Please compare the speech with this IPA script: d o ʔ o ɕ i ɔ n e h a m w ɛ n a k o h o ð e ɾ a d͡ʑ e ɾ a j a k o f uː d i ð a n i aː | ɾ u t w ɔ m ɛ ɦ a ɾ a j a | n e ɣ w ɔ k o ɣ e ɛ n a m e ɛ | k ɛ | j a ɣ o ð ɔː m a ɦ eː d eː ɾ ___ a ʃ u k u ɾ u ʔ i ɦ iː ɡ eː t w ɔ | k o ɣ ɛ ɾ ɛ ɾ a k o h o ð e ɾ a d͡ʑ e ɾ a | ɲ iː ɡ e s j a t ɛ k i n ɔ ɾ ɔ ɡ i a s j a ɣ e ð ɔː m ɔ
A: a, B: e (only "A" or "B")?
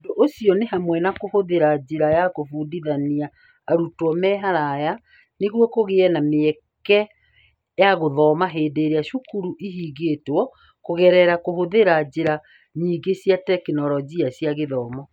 B